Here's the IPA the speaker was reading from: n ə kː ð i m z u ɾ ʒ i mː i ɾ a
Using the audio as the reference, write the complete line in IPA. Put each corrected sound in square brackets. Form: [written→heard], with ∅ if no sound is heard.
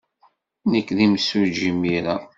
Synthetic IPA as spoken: n ə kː ð i m [z→s] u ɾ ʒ i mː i ɾ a